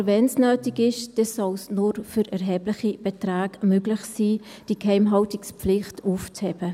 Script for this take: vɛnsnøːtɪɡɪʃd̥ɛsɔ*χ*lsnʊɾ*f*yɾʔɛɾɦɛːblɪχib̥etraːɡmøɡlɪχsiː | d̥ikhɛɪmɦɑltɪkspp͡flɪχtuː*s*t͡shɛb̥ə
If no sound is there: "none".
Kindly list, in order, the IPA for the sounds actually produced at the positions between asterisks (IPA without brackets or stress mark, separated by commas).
none, f, f